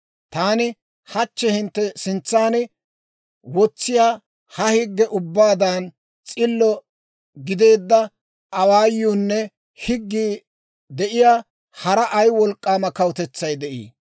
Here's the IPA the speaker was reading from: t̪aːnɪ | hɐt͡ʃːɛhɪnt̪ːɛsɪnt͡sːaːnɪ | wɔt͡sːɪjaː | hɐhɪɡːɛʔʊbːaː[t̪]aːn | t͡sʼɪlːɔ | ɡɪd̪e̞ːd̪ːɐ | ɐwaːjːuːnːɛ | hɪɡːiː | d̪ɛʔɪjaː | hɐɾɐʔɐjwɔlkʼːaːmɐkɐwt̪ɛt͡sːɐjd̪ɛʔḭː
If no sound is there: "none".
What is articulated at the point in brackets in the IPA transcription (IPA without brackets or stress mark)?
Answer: d̪